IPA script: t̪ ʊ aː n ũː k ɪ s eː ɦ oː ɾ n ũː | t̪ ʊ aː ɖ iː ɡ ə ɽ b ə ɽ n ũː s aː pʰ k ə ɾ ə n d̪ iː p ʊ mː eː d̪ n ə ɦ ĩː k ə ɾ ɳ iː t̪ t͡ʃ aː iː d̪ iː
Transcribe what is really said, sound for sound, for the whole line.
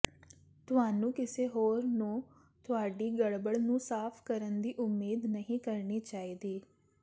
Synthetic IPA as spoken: t̪ ʊ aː n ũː k ɪ s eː ɦ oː ɾ n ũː | t̪ ʊ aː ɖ iː ɡ ə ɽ b ə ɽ n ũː s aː pʰ k ə ɾ ə n d̪ iː ʔ ʊ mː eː d̪ n ə ɦ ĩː k ə ɾ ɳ iː t͡ʃ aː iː d̪ iː

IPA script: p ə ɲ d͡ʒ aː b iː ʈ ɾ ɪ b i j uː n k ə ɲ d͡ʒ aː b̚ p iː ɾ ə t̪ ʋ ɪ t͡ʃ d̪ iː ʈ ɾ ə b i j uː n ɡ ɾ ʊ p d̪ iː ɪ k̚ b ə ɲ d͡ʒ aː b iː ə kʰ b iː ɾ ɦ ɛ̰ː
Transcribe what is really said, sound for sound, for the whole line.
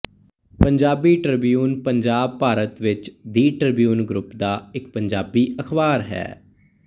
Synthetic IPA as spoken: p ə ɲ d͡ʒ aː b iː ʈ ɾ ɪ b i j uː n p ə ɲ d͡ʒ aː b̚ p aː ɾ ə t̪ ʋ ɪ t͡ʃ d̪ iː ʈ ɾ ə b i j uː n ɡ ɾ ʊ p d̪ aː ɪ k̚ p ə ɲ d͡ʒ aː b iː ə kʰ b aː ɾ ɦ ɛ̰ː

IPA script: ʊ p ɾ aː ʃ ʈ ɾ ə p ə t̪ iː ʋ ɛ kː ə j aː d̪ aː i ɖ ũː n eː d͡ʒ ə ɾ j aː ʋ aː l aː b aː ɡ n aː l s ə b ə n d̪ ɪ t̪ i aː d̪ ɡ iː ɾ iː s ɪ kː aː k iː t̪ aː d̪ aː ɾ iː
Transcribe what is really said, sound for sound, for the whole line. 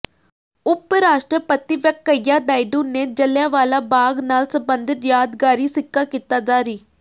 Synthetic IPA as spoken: ʊ p ɾ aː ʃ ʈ ɾ ə p ə t̪ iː ʋ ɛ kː ə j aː d̪ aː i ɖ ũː n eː d͡ʒ ə l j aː ʋ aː l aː b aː ɡ n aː l s ə b ə n d̪ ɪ t̪ j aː d̪ ɡ aː ɾ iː s ɪ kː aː k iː t̪ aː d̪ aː ɾ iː

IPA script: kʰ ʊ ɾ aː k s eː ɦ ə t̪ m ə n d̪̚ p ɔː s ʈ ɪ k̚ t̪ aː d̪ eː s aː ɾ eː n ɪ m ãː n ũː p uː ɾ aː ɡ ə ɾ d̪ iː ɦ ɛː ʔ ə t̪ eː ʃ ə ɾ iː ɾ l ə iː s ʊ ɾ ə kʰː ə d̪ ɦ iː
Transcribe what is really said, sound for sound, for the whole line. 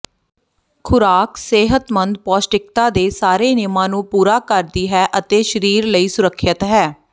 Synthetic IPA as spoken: kʰ ʊ ɾ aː k s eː ɦ ə t̪ m ə n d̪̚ p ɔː s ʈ ɪ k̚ t̪ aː d̪ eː s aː ɾ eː n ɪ m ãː n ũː p uː ɾ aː k ə ɾ d̪ iː ɦ ɛː ʔ ə t̪ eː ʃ ə ɾ iː ɾ l ə iː s ʊ ɾ ə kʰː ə t̪ ɦ ɛː

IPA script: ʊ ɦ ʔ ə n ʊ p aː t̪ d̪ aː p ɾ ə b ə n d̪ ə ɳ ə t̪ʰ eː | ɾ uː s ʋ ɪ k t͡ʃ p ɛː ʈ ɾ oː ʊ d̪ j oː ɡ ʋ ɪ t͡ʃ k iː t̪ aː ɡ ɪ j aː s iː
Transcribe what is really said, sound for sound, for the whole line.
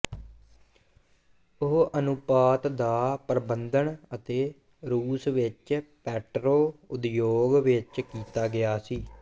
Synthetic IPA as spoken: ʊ ɦ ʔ ə n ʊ p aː t̪ d̪ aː p ɾ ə b ə n d̪ ə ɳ ə t̪ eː | ɾ uː s ʋ ɪ t͡ʃ p ɛː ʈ ɾ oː ʊ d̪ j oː ɡ ʋ ɪ t͡ʃ k iː t̪ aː ɡ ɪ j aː s iː

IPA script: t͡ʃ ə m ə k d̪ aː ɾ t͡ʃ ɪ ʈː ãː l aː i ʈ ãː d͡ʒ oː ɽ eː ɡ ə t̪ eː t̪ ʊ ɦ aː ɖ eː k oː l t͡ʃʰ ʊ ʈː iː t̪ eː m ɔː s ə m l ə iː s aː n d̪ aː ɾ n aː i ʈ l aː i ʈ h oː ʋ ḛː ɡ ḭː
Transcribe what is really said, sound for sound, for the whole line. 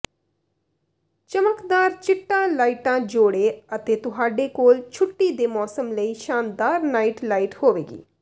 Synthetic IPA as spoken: t͡ʃ ə m ə k d̪ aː ɾ t͡ʃ ɪ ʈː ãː l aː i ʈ ãː d͡ʒ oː ɽ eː ə t̪ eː t̪ ʊ ɦ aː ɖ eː k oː l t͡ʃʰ ʊ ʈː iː d̪ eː m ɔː s ə m l ə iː ʃ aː n d̪ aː ɾ n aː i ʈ l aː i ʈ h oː ʋ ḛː ɡ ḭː

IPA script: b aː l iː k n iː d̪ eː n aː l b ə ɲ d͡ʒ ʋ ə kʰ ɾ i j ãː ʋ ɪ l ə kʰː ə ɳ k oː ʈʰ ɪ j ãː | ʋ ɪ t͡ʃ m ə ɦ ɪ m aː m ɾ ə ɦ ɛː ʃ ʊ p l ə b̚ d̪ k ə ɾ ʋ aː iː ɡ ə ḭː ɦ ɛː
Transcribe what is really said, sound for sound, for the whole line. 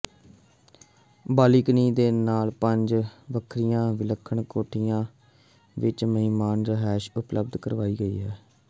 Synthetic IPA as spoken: b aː l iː k n iː d̪ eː n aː l p ə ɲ d͡ʒ ʋ ə kʰ ɾ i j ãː ʋ ɪ l ə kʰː ə ɳ k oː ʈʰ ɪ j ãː | ʋ ɪ t͡ʃ m ə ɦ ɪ m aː n ɾ ə ɦ ɛː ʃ ʊ p l ə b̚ d̪ k ə ɾ ʋ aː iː ɡ ə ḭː ɦ ɛː

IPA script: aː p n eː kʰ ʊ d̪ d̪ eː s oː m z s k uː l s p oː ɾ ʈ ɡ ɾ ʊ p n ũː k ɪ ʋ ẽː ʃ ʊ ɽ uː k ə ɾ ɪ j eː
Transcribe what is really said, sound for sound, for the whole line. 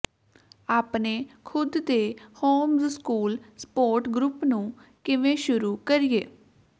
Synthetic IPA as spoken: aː p n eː kʰ ʊ d̪ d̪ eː h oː m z s k uː l s p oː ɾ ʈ ɡ ɾ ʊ p n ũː k ɪ ʋ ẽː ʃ ʊ ɾ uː k ə ɾ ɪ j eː

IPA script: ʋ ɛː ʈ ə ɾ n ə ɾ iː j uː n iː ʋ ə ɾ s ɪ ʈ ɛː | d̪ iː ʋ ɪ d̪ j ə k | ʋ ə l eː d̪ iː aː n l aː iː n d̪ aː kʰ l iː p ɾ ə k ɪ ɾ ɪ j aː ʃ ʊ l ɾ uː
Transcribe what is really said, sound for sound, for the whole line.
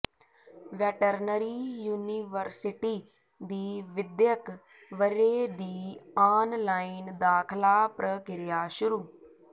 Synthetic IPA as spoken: ʋ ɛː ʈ ə ɾ n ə ɾ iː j uː n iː ʋ ə ɾ s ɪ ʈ iː | d̪ iː ʋ ɪ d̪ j ə k | ʋ ə ɾ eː d̪ iː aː n l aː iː n d̪ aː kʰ l aː p ɾ ə k ɪ ɾ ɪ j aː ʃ ʊ ɾ uː

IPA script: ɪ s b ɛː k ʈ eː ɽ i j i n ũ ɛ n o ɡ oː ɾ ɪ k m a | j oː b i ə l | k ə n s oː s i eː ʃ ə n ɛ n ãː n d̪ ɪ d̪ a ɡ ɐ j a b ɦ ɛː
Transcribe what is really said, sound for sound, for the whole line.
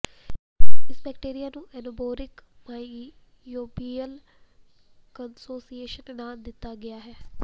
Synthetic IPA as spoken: ɪ s b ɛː k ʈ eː ɾ i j a n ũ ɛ n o b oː ɾ ɪ k m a | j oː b i ə l | k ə n s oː s i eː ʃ ə n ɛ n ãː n d̪ ɪ t̪ a ɡ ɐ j a ɦ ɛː

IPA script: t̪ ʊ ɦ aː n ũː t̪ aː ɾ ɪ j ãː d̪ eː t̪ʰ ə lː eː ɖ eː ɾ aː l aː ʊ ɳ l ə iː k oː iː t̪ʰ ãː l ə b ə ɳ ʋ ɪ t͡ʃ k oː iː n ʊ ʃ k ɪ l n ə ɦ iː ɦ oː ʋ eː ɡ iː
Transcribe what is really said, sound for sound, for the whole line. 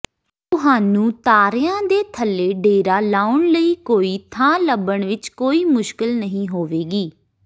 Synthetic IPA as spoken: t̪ ʊ ɦ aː n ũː t̪ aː ɾ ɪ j ãː d̪ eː t̪ʰ ə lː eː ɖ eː ɾ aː l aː ʊ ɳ l ə iː k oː iː t̪ʰ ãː l ə b ə ɳ ʋ ɪ t͡ʃ k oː iː m ʊ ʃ k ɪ l n ə ɦ ĩː ɦ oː ʋ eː ɡ iː

